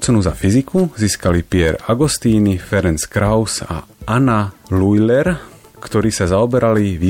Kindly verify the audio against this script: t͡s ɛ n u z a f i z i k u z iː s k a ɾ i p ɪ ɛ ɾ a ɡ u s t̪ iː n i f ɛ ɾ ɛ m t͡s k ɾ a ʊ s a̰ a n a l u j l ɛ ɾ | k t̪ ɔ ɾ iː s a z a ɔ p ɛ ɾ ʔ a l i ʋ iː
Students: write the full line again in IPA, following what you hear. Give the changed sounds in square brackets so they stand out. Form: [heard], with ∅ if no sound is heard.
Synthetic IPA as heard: t͡s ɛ n u z a f i z i k u z iː s k a [l] i p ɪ ɛ ɾ a ɡ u s t̪ iː n i f ɛ ɾ ɛ [n] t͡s k ɾ a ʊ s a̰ a n a l u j l ɛ ɾ | k t̪ ɔ ɾ iː s a z a ɔ [b] ɛ ɾ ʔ a l i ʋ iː